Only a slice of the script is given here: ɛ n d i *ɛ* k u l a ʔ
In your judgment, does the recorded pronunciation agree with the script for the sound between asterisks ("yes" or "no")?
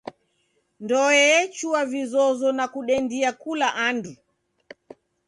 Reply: no